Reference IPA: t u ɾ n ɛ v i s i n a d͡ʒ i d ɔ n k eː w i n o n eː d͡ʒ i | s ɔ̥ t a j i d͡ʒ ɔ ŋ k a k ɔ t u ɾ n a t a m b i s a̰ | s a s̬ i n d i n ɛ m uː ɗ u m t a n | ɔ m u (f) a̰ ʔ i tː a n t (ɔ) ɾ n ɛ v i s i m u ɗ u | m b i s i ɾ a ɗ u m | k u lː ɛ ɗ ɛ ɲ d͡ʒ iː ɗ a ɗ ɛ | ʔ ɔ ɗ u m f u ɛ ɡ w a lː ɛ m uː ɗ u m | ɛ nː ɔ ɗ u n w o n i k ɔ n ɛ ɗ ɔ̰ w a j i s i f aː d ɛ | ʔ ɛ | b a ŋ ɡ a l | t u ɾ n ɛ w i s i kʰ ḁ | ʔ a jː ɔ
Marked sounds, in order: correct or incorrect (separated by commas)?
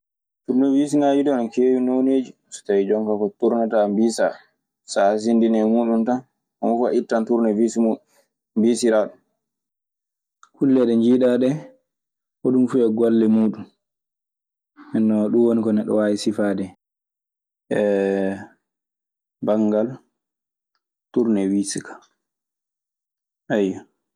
correct, incorrect